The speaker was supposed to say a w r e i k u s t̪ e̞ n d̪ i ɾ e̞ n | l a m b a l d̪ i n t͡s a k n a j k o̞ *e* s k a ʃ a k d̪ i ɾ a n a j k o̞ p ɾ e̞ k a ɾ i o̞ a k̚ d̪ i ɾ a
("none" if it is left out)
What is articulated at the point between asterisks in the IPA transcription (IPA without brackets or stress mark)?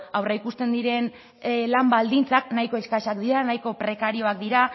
e